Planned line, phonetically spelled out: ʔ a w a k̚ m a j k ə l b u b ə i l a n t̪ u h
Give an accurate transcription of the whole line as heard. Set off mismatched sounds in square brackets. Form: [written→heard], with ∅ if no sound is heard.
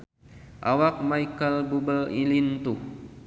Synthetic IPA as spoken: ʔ a w a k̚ m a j k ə l b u b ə i l [a→i] n t̪ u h